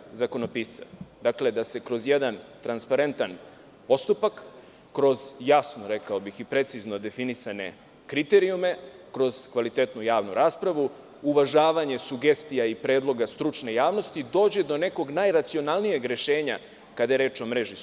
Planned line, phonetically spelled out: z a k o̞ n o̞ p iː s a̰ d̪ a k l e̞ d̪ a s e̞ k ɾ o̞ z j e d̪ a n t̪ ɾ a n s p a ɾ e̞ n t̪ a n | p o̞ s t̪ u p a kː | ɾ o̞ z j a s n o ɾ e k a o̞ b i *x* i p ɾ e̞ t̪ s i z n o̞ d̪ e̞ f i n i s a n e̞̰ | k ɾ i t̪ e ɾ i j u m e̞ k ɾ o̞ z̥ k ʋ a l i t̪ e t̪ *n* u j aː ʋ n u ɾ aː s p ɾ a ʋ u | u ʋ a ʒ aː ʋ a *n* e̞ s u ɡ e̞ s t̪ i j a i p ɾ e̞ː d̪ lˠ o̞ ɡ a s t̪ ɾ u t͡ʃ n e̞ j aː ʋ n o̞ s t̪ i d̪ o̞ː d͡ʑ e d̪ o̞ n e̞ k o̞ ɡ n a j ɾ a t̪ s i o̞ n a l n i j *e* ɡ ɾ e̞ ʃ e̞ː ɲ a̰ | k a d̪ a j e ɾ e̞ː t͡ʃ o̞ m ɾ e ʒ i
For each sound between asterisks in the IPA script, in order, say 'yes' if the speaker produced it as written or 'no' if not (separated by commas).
yes, yes, no, yes